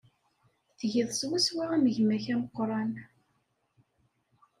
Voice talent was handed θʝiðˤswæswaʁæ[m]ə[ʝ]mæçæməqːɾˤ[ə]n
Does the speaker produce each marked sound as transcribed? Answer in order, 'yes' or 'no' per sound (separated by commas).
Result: yes, yes, no